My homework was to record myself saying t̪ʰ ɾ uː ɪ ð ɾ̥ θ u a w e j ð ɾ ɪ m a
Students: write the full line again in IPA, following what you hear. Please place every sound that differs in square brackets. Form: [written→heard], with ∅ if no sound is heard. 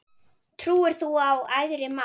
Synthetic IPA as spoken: t̪ʰ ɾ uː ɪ [ð→∅] ɾ̥ θ u a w [e→a] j ð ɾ ɪ m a